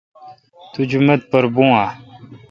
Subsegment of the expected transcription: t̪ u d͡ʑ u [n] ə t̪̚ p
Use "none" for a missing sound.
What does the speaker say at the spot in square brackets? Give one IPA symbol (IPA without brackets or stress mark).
m